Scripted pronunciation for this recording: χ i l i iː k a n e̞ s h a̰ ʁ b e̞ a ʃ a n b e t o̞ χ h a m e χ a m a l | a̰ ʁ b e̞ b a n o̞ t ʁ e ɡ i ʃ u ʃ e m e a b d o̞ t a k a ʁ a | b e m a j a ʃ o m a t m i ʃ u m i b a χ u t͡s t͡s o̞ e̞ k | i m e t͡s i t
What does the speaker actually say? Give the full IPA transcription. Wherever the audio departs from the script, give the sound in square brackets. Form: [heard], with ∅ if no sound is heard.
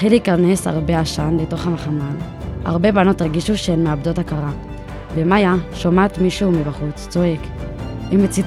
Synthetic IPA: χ i l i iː k a n e̞ s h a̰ ʁ b e̞ a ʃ a n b e t o̞ χ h a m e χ a m a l | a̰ ʁ b e̞ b a n o̞ t ʁ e ɡ i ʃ u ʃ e m e a b d o̞ t a k a ʁ a | b e m a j a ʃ o m a t m i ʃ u m i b a χ u t͡s t͡s o̞ e̞ k | i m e t͡s i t